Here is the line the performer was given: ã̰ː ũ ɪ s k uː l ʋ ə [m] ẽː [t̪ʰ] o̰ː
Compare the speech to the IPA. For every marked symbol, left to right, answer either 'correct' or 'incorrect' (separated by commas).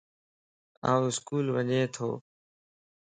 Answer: incorrect, correct